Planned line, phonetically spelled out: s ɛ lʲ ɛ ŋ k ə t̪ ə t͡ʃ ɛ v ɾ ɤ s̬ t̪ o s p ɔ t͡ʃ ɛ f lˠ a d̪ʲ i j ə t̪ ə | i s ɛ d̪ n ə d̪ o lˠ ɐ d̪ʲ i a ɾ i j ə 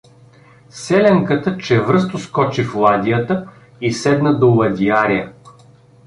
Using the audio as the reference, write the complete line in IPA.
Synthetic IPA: s ɛ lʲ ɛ ŋ k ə t̪ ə t͡ʃ ɛ v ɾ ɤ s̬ t̪ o s k ɔ t͡ʃ i f lˠ a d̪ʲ i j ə t̪ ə | i s ɛ d̪ n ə d̪ o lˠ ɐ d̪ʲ i a ɾ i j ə